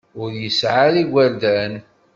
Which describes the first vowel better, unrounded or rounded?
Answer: rounded